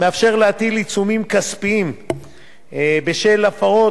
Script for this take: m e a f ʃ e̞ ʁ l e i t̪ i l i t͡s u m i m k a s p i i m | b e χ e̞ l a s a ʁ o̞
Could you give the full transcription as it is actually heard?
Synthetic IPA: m e a f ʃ e̞ ʁ l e a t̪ i l i t͡s u m i m k a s p i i m | b e ʃ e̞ l a f a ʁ o̞